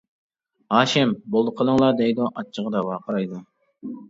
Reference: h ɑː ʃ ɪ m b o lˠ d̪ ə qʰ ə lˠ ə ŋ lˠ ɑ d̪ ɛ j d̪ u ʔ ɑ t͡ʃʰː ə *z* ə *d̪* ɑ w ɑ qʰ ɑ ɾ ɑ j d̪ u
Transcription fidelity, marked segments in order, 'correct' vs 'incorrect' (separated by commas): incorrect, correct